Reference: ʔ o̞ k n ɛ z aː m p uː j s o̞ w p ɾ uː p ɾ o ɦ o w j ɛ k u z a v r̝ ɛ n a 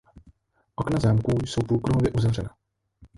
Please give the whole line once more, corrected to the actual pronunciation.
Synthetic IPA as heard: ʔ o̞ k n a z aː m k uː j s o̞ w p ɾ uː k ɾ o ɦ o v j ɛ ʔ u z a v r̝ ɛ n a